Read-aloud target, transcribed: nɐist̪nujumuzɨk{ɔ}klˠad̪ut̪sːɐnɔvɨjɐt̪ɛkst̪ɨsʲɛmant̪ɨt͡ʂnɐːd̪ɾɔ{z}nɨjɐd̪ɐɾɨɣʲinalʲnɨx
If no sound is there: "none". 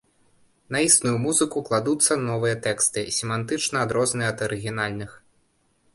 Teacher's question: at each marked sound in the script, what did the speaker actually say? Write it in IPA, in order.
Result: u, z

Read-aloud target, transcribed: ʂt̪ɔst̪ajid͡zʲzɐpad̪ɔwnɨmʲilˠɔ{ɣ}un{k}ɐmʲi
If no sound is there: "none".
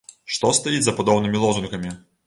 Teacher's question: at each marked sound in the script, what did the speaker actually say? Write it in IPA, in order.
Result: z, k

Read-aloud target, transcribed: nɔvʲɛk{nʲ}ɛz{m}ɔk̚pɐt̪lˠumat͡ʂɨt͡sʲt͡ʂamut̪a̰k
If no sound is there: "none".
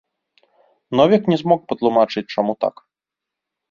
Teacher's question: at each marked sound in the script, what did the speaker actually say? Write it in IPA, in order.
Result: nʲ, m

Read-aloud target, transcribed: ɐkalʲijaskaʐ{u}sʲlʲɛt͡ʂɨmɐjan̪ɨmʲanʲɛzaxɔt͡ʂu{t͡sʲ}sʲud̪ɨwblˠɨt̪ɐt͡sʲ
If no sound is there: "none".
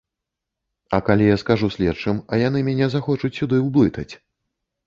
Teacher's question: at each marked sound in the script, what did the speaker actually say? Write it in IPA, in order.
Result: u, t͡sʲ

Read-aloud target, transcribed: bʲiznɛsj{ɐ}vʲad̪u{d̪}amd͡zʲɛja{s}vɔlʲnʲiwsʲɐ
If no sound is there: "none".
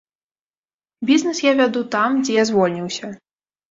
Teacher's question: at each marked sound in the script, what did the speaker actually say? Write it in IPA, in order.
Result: a, t̪, z

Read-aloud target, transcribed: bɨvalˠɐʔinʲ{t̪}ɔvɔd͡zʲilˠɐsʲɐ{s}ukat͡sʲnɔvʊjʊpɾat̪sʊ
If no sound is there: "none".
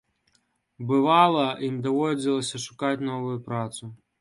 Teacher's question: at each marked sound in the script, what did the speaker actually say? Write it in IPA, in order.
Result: d̪, ʂ

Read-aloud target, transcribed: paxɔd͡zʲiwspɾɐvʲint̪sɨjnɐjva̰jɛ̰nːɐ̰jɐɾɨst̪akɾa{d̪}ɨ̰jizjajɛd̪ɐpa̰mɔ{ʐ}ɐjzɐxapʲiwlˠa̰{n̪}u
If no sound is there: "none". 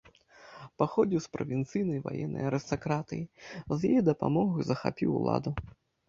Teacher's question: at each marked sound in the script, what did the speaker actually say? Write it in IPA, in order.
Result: t̪, ɣ, d̪

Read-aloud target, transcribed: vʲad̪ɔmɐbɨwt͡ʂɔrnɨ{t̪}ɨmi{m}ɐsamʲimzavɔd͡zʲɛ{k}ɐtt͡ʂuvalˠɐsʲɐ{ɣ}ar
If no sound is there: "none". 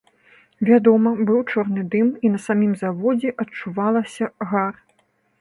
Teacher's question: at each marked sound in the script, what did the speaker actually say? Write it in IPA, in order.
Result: d̪, n, ʔ, ɣ

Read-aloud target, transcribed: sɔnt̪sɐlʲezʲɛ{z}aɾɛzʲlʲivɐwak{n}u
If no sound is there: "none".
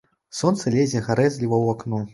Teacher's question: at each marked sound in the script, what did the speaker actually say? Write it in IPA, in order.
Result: ɣ, n

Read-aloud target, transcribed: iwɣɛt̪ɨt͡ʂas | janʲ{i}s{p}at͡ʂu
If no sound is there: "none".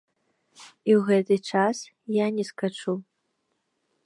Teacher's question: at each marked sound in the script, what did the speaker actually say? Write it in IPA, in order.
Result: ɛ, k

